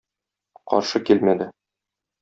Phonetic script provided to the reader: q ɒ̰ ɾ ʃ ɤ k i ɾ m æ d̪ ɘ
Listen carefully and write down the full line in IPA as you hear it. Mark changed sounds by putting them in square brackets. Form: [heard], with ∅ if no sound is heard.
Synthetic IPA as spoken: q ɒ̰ ɾ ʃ ɤ k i [l] m æ d̪ ɘ